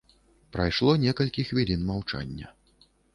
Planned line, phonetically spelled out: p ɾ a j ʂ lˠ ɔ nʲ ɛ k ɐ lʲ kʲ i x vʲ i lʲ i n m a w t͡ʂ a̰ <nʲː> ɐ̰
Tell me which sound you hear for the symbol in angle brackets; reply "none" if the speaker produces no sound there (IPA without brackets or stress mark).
nʲː